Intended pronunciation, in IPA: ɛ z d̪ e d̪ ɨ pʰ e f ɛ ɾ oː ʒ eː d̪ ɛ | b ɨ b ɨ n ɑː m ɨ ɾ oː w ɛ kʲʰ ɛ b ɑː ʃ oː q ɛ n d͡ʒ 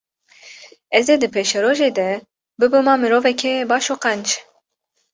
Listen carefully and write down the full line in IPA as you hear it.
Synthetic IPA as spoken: ɛ z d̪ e d̪ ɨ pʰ e ʃ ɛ ɾ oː ʒ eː d̪ ɛ | b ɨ b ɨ m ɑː m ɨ ɾ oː v ɛ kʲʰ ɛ b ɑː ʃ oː q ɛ n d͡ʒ